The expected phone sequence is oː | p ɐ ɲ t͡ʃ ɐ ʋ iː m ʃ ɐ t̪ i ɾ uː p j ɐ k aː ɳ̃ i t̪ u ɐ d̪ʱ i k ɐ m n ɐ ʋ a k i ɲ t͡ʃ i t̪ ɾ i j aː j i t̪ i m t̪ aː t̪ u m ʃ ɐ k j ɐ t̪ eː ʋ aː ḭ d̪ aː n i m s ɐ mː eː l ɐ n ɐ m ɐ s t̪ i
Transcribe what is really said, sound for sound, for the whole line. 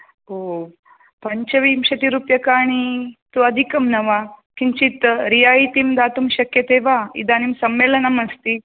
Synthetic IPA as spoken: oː | p ɐ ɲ t͡ʃ ɐ ʋ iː m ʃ ɐ t̪ i ɾ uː p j ɐ k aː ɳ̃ i t̪ u ɐ d̪ʱ i k ɐ m n ɐ ʋ a k i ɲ t͡ʃ i t̪ ɾ i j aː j i t̪ i m d̪ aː t̪ u m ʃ ɐ k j ɐ t̪ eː ʋ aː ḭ d̪ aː n i m s ɐ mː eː l ɐ n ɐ m ɐ s t̪ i